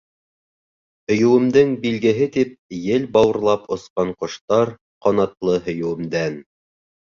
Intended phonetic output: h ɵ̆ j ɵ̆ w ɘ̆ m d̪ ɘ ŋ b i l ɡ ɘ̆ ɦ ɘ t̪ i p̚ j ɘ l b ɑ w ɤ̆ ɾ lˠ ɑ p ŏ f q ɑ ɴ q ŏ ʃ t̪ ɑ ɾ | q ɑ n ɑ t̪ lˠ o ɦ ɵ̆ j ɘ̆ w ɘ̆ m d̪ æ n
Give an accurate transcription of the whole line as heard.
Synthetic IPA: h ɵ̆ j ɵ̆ w ɘ̆ m d̪ ɘ ŋ b i l ɡ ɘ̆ ɦ ɘ t̪ i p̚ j ɘ l b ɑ w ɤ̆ ɾ lˠ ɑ p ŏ s q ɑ ɴ q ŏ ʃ t̪ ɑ ɾ | q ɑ n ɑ t̪ lˠ ɤ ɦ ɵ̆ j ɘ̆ w ɘ̆ m d̪ æ n